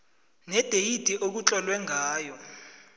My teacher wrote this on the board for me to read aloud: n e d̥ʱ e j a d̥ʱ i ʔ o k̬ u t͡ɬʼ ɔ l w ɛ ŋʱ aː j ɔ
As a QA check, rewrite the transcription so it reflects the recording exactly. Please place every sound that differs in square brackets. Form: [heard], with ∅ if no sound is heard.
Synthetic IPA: n [ɛ] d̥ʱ e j [i] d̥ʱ i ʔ o k̬ u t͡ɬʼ ɔ l w ɛ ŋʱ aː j ɔ